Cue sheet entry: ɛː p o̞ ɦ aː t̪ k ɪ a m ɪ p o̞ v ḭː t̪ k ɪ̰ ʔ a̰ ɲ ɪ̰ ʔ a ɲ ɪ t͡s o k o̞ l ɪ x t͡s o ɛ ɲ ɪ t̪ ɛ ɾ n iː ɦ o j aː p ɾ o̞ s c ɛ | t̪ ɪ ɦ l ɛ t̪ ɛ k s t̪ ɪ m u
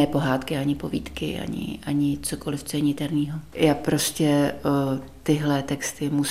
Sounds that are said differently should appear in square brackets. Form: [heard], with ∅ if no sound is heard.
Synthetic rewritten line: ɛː p o̞ ɦ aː t̪ k ɪ a [ɲ] ɪ p o̞ v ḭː t̪ k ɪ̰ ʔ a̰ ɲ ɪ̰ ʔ a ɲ ɪ t͡s o k o̞ l ɪ [f] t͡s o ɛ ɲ ɪ t̪ ɛ ɾ n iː ɦ o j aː p ɾ o̞ s c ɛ | t̪ ɪ ɦ l ɛ t̪ ɛ k s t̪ ɪ m u